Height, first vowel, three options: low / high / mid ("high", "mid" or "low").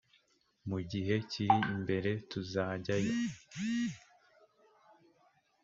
high